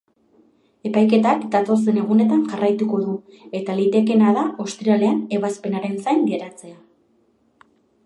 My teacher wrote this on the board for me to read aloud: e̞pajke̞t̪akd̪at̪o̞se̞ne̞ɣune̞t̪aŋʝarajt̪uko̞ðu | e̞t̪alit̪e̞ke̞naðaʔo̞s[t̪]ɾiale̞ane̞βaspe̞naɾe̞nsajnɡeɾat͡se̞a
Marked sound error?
no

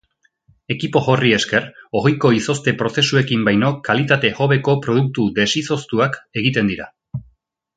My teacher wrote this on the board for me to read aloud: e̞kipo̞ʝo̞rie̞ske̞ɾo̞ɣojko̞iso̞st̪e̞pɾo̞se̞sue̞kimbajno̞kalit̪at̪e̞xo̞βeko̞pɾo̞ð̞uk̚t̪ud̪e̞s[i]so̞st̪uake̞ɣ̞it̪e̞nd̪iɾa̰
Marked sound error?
no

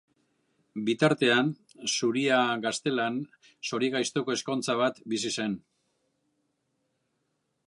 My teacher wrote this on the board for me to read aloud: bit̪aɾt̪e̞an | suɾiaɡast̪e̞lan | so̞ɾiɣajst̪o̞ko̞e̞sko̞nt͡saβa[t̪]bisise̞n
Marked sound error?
no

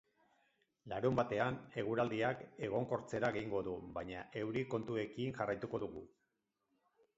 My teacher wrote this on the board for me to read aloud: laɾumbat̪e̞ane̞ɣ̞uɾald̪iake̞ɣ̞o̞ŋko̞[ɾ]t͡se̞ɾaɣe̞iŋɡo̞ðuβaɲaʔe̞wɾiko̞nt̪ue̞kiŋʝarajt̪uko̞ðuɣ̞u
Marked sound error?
no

